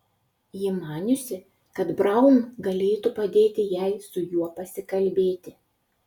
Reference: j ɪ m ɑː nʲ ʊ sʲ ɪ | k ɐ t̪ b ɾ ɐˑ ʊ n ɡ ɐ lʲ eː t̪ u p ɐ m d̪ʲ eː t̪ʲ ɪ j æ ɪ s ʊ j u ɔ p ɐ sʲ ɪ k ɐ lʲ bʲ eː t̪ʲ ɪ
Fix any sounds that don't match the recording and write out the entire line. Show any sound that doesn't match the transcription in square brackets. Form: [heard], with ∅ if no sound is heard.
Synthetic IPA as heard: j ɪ m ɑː nʲ ʊ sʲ ɪ | k ɐ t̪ b ɾ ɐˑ ʊ n ɡ ɐ lʲ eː t̪ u p ɐ [∅] d̪ʲ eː t̪ʲ ɪ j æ ɪ s ʊ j u ɔ p ɐ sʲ ɪ k ɐ lʲ bʲ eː t̪ʲ ɪ